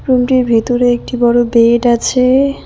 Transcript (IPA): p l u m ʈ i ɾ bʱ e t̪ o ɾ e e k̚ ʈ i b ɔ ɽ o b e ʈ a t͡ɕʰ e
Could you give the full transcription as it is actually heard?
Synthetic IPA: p ɾ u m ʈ i ɾ bʱ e t̪ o ɾ e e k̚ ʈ i b ɔ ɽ o b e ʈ a t͡ɕʰ e